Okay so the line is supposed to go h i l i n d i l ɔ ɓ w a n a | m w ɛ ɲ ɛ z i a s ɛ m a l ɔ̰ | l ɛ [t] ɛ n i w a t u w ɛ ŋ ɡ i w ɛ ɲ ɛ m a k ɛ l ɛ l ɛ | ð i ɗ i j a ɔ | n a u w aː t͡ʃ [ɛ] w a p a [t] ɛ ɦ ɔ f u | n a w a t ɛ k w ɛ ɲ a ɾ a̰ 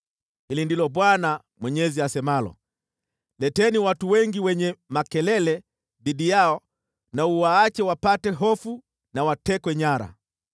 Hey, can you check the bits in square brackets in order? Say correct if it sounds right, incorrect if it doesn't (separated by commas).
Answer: correct, correct, correct